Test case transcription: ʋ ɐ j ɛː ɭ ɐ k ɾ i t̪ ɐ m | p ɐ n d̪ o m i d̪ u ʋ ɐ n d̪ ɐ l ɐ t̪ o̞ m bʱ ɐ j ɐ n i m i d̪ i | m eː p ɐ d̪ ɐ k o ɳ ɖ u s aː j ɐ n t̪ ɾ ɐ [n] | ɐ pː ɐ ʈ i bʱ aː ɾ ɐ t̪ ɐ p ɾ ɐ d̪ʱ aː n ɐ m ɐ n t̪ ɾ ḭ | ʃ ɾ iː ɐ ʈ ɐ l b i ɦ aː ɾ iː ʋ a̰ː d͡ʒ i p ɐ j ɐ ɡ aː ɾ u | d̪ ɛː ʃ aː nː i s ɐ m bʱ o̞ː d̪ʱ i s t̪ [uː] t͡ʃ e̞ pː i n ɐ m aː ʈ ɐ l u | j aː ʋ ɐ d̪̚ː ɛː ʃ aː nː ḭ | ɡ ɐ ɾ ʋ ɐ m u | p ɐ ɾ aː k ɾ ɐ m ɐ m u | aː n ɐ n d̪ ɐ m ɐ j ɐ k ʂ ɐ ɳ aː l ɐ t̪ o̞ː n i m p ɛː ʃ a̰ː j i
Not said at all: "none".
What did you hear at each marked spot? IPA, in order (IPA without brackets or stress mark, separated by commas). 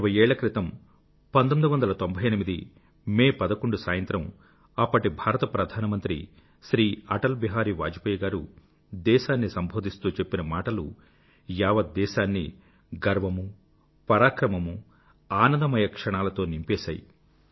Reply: m, uː